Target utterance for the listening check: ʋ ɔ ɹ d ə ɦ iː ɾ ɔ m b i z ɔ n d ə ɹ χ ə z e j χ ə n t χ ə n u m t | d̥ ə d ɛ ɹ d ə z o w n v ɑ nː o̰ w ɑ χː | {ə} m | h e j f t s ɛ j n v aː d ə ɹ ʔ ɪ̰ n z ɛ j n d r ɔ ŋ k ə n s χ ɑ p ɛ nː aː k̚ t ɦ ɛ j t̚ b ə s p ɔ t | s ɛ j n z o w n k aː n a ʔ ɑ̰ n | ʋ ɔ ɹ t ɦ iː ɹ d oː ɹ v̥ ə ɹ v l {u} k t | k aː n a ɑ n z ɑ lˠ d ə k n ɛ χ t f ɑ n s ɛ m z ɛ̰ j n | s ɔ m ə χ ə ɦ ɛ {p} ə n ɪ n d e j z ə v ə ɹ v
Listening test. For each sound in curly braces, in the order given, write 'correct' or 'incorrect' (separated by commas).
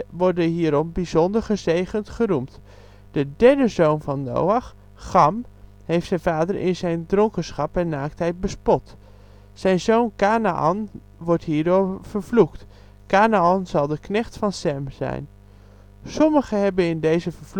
incorrect, correct, incorrect